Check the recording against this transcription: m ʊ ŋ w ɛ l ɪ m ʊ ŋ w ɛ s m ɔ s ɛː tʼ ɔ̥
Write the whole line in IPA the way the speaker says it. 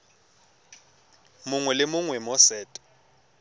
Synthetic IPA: m ʊ ŋ w ɛ l ɪ m ʊ ŋ w ɛ m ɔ s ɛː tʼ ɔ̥

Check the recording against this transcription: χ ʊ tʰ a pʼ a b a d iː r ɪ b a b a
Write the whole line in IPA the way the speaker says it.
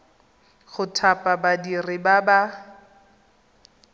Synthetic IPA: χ ʊ tʰ a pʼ a b a d i r ɪ b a b a

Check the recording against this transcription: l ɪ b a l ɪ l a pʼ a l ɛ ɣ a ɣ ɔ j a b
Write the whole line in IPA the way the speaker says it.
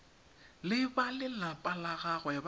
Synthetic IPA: l ɪ b a l ɪ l a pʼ a l a ɣ a ɣ ɔ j a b

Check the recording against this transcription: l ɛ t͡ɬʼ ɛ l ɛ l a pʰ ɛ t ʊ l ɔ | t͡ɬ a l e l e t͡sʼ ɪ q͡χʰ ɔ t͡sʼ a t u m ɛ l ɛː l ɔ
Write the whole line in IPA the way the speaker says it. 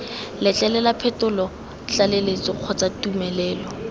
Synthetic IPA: l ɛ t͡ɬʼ ɛ l ɛ l a pʰ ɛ t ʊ l ɔ | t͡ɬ a l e l e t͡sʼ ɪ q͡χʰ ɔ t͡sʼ a t u m ɛ l ɛː l ɔ

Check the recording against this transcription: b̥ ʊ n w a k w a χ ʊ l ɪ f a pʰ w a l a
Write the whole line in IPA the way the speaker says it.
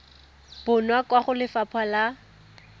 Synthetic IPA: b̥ ʊ n w a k w a χ ʊ l ɪ f a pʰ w a l a

